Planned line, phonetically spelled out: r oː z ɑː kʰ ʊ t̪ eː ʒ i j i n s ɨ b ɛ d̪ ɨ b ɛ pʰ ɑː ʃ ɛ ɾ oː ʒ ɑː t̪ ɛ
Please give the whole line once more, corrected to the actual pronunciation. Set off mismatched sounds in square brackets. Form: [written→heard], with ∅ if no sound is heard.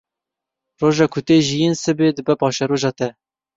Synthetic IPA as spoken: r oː [z→ʒ] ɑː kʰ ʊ t̪ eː ʒ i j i n s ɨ b [ɛ→e] d̪ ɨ b ɛ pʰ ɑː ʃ ɛ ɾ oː ʒ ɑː t̪ ɛ